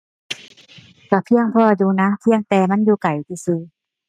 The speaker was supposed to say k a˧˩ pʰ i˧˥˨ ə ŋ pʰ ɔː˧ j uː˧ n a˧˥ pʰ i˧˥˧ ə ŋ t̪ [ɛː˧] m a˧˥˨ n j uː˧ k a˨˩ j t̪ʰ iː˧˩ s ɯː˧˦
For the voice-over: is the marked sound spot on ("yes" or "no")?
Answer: yes